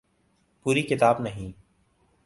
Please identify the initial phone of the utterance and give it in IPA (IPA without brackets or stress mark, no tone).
p